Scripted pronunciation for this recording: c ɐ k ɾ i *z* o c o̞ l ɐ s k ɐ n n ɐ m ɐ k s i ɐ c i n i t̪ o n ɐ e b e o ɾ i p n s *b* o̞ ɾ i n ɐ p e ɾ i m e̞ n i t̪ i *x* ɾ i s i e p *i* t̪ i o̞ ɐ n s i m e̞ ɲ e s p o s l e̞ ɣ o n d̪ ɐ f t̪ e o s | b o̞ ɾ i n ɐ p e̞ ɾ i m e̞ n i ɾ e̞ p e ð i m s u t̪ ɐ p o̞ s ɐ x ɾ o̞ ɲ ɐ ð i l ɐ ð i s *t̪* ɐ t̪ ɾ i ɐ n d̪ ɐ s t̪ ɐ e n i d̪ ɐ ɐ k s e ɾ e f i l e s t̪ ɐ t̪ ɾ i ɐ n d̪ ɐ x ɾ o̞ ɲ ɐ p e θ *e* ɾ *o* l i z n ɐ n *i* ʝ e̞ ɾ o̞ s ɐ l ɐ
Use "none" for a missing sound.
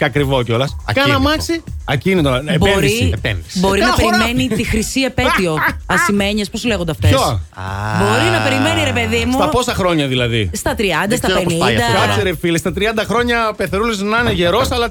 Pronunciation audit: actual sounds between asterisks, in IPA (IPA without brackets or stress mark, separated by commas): v, b, x, e, t̪, e, u, e